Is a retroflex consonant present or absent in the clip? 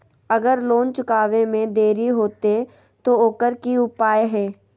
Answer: absent